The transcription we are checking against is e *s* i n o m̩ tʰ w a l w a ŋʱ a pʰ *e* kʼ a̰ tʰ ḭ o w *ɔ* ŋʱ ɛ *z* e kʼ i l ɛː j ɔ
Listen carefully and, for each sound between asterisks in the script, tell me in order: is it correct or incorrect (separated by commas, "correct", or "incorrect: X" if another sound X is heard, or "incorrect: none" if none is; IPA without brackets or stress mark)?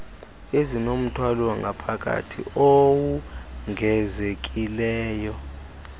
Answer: incorrect: z, incorrect: a, incorrect: u, correct